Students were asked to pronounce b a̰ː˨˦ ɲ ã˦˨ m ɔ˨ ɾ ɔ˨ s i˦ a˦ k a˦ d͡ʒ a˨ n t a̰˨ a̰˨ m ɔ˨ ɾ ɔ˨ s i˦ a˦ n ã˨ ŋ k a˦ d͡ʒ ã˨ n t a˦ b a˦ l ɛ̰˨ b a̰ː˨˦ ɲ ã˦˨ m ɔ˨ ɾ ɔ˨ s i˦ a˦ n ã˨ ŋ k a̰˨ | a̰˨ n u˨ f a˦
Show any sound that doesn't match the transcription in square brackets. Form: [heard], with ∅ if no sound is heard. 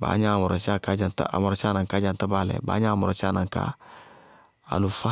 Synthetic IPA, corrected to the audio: b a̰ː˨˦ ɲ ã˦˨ m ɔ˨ ɾ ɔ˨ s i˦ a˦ k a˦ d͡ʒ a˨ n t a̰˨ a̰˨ m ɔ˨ ɾ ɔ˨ s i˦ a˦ n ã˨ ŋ k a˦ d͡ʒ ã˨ n t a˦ b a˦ l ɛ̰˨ b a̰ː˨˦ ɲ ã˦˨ m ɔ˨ ɾ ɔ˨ s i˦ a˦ n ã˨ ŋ k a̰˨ | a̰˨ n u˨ f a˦